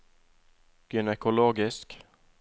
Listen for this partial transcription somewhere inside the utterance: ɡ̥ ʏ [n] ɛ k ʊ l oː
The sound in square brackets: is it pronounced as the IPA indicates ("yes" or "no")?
yes